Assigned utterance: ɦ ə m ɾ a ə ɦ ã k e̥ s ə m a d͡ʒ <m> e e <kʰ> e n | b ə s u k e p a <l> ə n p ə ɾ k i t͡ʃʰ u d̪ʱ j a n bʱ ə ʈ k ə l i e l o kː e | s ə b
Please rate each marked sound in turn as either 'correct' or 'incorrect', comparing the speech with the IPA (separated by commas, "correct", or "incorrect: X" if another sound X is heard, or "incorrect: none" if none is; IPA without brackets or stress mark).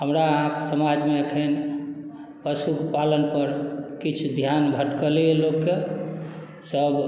correct, correct, correct